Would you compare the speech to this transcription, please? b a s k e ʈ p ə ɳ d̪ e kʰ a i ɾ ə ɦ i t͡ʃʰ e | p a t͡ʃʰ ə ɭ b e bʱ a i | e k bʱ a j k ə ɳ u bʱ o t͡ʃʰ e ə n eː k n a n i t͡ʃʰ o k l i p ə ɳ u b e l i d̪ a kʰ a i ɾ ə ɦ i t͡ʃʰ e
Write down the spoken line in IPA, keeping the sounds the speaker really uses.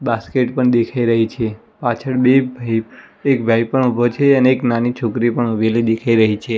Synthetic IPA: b a s k e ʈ p ə ɳ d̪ e kʰ a i ɾ ə ɦ i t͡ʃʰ e | p a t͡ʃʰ ə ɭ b e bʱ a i | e k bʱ a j p ə ɳ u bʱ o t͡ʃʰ e ə n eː k n a n i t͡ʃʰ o k ɾ i p ə ɳ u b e l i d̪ e kʰ a i ɾ ə ɦ i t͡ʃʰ e